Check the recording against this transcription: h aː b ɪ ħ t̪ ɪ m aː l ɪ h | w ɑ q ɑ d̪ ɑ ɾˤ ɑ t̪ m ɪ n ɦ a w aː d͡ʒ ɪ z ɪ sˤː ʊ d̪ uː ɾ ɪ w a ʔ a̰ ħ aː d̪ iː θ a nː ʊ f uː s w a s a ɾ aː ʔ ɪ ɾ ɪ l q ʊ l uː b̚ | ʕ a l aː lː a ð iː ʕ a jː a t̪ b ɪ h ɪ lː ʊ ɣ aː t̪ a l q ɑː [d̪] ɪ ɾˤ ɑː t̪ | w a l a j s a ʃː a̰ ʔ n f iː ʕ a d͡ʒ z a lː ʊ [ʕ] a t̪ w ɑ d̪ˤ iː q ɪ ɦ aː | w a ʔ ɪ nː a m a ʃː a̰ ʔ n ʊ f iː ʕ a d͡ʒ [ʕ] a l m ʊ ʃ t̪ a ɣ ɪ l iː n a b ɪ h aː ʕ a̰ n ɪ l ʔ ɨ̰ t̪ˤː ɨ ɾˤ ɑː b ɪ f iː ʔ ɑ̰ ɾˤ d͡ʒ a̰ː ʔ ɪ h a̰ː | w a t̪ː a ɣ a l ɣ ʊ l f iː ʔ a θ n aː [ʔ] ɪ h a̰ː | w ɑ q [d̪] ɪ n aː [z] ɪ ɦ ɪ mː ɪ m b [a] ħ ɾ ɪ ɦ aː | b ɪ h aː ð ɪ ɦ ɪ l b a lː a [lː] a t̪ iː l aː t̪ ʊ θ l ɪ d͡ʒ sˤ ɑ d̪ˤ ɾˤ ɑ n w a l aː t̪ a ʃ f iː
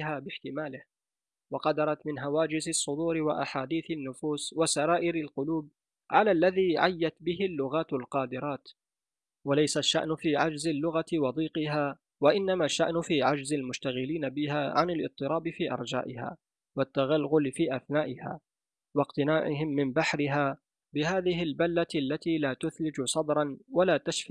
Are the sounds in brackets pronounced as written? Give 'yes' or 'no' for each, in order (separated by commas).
yes, no, no, yes, no, no, yes, yes